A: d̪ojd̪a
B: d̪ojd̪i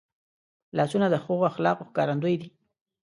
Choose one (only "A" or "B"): B